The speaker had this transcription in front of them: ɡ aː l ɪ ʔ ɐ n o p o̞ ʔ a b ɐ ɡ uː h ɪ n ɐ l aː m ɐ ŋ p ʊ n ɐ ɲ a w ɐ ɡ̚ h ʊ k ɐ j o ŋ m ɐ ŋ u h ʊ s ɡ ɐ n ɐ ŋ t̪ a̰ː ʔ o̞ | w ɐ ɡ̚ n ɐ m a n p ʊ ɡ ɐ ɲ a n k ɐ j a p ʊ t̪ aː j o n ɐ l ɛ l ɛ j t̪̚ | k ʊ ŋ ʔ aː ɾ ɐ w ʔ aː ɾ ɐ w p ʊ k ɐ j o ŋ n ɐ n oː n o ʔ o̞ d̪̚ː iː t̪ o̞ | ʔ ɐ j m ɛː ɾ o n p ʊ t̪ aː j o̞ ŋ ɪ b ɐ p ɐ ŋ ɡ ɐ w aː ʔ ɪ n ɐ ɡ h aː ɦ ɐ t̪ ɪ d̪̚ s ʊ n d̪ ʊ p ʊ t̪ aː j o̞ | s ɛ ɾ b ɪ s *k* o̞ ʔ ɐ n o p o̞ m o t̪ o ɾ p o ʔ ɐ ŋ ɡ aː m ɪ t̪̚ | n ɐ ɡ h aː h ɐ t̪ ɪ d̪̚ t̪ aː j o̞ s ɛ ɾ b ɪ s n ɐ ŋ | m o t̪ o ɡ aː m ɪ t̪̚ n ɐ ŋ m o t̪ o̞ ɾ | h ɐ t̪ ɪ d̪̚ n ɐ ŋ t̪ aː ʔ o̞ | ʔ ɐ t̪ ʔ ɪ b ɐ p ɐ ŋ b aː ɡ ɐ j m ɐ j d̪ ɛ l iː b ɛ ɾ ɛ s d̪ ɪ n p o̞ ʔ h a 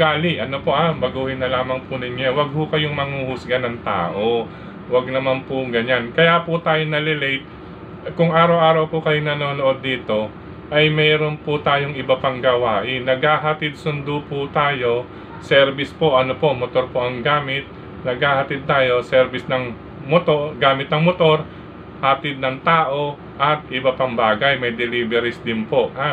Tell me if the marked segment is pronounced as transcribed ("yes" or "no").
no